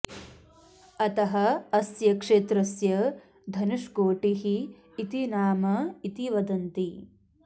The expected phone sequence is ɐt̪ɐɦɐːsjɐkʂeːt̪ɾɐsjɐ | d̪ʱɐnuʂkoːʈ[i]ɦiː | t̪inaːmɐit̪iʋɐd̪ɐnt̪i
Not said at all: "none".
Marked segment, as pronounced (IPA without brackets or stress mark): i